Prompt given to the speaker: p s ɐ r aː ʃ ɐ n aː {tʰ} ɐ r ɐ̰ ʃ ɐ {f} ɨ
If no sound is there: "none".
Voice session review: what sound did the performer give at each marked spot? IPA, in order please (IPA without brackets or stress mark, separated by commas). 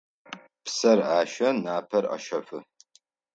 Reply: pʰ, f